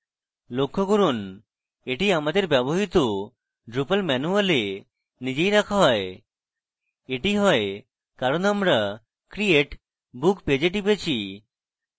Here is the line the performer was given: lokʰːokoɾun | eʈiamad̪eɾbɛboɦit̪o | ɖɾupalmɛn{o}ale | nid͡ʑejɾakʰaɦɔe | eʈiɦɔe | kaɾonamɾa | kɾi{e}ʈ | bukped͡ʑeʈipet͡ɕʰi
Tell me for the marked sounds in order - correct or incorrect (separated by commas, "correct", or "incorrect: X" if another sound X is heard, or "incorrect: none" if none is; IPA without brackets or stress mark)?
incorrect: u, correct